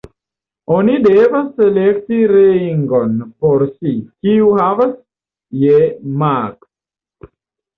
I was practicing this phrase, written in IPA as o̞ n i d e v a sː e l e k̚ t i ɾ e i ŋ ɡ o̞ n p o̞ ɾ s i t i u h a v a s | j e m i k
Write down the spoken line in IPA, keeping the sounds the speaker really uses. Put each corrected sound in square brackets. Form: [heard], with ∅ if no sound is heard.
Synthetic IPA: o̞ n i d e v a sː e l e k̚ t i ɾ e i ŋ ɡ o̞ n p o̞ ɾ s i [k] i u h a v a s | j e m [a] k